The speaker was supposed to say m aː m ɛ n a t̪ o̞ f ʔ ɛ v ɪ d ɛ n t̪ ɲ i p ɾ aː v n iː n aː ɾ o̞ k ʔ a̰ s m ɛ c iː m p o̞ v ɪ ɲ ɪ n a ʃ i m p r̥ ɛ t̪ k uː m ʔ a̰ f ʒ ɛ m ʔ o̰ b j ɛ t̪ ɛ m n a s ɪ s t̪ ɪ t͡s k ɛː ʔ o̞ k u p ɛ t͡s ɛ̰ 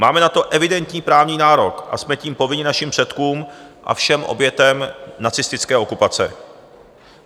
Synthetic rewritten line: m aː m ɛ n a t̪ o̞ ʔ ɛ v ɪ d ɛ n t̪ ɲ iː p ɾ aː v ɲ iː n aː ɾ o̞ k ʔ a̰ s m ɛ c iː m p o̞ v ɪ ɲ ɪ n a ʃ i m p r̥ ɛ t̪ k uː m ʔ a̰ f ʃ ɛ m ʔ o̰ b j ɛ t̪ ɛ m n a t͡s ɪ s t̪ ɪ t͡s k ɛː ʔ o̞ k u p a t͡s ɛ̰